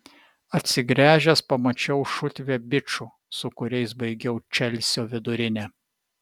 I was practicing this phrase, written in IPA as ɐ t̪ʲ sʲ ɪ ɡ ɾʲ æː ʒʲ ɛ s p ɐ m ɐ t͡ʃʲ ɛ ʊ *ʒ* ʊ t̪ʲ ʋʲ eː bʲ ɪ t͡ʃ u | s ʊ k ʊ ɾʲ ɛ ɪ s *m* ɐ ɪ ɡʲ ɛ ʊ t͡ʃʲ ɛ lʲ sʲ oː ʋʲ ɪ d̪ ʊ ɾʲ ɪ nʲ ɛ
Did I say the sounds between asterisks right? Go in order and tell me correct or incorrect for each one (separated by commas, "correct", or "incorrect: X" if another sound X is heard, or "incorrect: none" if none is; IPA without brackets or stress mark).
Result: incorrect: ʃ, incorrect: b